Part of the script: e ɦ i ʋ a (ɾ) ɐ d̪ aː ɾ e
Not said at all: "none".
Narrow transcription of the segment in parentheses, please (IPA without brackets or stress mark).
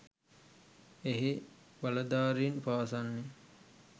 l